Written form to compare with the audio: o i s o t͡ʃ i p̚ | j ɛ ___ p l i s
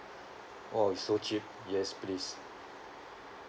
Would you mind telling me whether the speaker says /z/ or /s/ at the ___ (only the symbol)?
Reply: s